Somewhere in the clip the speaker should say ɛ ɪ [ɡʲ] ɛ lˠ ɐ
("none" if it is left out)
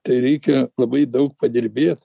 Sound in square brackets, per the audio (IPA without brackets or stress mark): kʲ